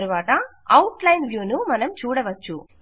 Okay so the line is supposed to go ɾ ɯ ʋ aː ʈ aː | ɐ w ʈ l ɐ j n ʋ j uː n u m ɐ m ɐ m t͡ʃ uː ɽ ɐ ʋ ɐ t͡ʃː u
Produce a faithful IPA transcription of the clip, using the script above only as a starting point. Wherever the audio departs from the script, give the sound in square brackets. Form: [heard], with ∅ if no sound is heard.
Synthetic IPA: ɾ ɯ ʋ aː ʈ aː | ɐ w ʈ l ɐ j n ʋ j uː n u m ɐ [n] ɐ m t͡ʃ uː ɽ ɐ ʋ ɐ t͡ʃː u